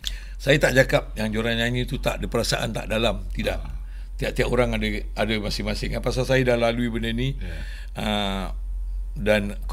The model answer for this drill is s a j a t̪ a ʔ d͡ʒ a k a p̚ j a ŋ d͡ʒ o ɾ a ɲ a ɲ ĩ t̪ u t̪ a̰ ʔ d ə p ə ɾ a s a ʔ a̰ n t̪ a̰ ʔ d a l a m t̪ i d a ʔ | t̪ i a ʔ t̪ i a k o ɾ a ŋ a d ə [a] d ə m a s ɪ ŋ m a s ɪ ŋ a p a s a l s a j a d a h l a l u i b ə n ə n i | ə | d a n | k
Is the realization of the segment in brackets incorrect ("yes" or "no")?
no